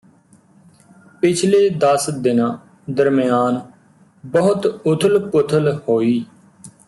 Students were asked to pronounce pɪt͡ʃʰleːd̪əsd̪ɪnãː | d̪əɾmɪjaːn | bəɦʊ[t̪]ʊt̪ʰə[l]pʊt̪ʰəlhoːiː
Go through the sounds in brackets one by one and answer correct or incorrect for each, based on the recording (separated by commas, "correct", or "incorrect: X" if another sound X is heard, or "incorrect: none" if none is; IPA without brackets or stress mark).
correct, correct